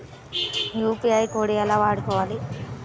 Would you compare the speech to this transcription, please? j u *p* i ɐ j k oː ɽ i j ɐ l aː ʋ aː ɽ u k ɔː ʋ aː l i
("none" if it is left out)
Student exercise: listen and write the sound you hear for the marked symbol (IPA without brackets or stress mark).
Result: p